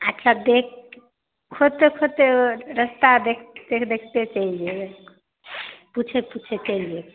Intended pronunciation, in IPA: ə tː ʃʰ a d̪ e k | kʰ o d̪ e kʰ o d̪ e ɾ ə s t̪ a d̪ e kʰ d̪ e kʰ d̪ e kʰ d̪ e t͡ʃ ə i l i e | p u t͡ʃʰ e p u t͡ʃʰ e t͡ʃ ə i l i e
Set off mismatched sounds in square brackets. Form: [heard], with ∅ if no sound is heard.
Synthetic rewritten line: ə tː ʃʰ a d̪ e k | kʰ o [t̪] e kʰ o [t̪] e ɾ ə s t̪ a d̪ e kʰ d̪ e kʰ d̪ e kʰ [t̪] e t͡ʃ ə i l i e | p u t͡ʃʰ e p u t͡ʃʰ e t͡ʃ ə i l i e